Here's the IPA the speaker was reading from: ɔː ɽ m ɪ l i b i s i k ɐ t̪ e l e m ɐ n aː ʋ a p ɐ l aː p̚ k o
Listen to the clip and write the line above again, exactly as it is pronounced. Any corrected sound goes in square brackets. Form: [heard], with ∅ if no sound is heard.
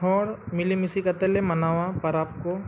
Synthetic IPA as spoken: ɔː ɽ m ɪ l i [m] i s i k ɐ t̪ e l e m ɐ n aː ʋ a p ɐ [ɾ] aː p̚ k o